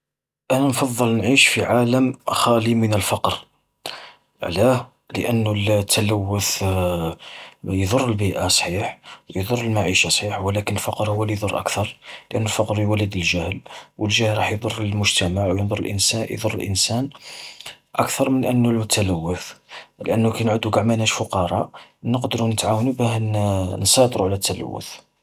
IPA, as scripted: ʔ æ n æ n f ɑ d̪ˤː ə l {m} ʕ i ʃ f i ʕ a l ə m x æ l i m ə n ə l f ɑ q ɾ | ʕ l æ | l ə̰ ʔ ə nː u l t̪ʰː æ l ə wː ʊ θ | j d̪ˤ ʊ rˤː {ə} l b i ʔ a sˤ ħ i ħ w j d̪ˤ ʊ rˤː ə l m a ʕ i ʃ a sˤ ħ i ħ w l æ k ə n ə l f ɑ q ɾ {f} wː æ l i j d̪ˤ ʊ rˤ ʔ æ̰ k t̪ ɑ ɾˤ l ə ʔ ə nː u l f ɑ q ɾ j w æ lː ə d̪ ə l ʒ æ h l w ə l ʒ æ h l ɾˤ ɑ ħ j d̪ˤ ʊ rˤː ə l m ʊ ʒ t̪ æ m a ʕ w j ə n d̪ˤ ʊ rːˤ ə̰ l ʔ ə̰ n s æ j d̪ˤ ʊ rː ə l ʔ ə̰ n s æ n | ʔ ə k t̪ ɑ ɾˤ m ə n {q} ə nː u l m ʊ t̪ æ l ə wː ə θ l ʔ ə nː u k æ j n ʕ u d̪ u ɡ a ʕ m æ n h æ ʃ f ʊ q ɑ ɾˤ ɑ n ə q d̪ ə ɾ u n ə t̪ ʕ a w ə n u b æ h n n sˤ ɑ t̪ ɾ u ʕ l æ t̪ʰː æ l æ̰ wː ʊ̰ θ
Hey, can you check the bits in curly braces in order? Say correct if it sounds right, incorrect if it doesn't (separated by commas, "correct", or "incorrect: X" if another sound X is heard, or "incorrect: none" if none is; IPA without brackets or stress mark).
incorrect: n, correct, incorrect: h, incorrect: ʔ